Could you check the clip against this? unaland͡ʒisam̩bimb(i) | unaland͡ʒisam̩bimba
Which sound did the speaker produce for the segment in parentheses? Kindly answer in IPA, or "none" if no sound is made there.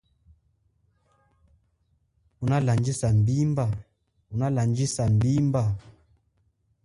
a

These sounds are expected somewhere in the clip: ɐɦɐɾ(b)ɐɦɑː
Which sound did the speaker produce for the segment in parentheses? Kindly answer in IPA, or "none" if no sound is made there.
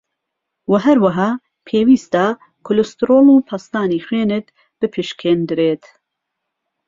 w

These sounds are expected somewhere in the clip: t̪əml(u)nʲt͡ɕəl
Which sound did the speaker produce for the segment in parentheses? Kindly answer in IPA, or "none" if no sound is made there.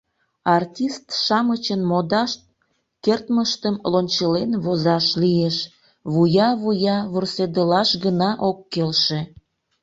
o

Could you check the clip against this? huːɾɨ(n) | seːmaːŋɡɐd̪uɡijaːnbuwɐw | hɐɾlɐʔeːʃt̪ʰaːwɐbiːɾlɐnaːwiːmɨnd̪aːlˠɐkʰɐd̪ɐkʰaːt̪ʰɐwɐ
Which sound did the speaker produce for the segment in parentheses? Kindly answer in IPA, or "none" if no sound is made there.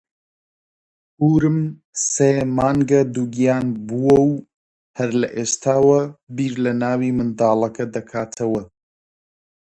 m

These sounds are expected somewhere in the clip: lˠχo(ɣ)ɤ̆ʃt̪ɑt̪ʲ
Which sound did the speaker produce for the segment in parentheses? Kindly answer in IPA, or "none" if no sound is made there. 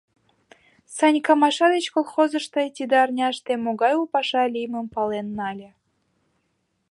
z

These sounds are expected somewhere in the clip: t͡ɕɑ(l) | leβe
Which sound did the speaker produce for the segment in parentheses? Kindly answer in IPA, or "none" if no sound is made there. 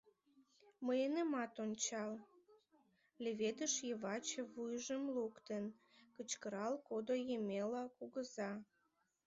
l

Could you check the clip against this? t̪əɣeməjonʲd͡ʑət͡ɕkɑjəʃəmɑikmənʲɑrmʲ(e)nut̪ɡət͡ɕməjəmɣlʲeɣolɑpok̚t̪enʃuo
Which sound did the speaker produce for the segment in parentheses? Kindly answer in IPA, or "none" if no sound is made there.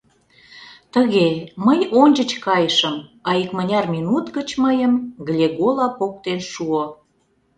i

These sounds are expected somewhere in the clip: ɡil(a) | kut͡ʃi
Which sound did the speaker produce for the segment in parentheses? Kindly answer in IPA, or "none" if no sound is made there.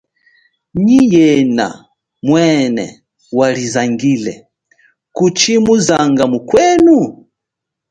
ɛ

